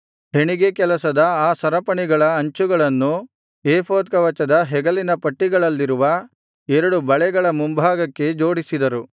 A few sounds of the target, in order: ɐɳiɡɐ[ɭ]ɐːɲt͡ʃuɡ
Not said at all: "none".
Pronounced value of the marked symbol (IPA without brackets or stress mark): ɭ